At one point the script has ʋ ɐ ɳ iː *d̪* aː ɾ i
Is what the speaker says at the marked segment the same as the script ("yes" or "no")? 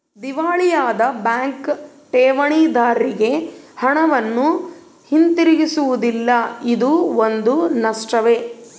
yes